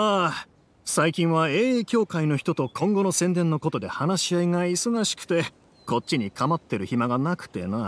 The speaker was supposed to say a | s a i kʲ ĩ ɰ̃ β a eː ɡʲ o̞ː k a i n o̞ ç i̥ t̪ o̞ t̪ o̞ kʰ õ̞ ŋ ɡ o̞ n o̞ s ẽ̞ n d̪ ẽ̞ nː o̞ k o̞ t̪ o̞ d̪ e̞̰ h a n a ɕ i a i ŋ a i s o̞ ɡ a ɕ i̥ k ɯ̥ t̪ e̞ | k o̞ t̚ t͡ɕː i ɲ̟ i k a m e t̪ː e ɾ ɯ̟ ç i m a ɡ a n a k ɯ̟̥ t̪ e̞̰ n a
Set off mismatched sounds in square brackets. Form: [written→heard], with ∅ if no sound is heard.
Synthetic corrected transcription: a | s a i kʲ ĩ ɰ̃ β a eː [ɡʲ→kʲ] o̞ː k a i n o̞ ç i̥ t̪ o̞ t̪ o̞ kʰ õ̞ ŋ ɡ o̞ n o̞ s ẽ̞ n d̪ ẽ̞ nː o̞ k o̞ t̪ o̞ d̪ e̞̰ h a n a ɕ i a i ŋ a i s o̞ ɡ a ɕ i̥ k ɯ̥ t̪ e̞ | k o̞ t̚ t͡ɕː i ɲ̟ i k a m [e→a] t̪ː e ɾ ɯ̟ ç i m a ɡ a n a k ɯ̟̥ t̪ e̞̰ n a